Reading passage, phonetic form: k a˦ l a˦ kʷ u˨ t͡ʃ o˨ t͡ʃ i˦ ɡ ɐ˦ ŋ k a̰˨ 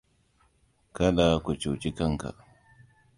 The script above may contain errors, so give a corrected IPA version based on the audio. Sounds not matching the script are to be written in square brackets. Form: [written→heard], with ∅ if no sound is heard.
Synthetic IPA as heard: k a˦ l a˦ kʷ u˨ t͡ʃ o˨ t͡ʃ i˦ [ɡ→k] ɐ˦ ŋ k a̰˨